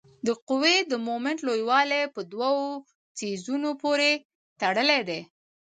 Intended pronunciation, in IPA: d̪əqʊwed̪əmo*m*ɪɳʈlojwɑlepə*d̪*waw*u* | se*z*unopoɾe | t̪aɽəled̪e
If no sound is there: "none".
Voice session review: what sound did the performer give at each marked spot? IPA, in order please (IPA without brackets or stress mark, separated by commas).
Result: m, d̪, o, z